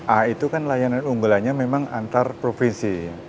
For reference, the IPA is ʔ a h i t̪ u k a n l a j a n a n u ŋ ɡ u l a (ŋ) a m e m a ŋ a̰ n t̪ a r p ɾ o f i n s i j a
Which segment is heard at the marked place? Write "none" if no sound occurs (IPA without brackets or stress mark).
ɲ